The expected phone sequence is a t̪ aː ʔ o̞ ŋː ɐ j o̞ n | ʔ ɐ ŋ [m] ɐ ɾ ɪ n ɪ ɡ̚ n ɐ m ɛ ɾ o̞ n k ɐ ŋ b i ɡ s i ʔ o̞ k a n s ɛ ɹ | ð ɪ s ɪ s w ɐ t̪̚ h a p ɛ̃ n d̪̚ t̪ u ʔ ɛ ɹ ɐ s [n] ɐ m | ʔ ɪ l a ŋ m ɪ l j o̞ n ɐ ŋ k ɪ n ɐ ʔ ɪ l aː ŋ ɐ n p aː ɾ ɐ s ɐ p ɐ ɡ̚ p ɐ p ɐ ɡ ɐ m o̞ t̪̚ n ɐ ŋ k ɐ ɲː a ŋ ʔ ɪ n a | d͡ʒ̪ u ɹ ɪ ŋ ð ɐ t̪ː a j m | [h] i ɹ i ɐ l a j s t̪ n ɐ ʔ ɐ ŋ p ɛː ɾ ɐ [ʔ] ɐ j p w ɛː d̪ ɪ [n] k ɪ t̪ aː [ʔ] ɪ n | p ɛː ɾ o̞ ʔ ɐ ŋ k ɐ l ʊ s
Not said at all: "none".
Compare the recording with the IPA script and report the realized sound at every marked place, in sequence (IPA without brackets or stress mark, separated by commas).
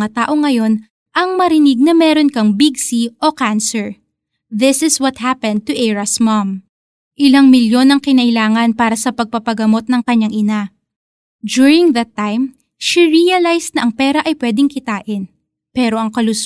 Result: m, m, ʃ, ʔ, ŋ, ʔ